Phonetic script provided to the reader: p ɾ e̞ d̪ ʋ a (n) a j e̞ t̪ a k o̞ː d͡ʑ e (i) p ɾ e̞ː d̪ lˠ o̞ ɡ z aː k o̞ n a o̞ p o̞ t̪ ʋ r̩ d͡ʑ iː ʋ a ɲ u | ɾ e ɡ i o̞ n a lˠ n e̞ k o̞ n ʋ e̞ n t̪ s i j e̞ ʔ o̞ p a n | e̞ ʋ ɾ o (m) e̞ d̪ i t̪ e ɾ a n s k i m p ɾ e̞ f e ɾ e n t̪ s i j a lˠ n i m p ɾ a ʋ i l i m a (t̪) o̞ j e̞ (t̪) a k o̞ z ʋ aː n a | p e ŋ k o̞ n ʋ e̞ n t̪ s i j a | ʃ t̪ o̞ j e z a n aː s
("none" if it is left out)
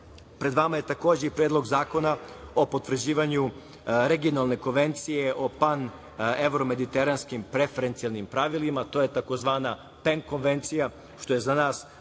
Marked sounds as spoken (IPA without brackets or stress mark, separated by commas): m, i, m, t̪, t̪